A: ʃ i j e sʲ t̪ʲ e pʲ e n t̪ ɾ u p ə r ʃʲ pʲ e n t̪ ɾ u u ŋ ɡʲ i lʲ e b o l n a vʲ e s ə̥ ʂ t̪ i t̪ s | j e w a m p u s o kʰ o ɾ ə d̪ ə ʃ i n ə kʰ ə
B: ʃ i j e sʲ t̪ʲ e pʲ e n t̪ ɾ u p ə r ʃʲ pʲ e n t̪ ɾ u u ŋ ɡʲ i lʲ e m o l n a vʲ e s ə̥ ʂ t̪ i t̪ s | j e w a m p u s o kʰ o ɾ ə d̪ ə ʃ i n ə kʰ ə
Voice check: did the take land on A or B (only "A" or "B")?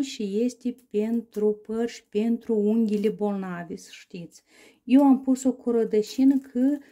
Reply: A